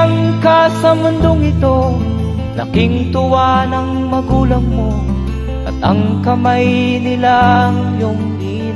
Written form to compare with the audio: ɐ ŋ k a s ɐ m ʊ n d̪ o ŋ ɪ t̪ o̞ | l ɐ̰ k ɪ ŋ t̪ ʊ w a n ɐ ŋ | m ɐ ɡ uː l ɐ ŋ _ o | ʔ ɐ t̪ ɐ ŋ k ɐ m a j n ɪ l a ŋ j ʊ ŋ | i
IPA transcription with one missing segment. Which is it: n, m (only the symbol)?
m